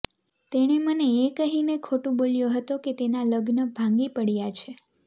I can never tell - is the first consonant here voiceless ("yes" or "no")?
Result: yes